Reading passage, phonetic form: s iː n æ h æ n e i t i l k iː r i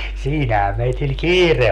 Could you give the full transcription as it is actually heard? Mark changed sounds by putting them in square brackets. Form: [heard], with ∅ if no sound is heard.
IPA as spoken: s iː n æ h æ [m] e i t i l k iː r [e]